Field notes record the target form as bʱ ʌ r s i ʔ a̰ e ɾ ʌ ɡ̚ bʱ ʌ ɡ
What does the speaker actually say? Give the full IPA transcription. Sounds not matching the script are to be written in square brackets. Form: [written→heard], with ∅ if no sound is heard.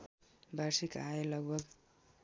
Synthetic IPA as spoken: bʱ [ʌ→a] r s i [ʔ→k] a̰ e [ɾ→l] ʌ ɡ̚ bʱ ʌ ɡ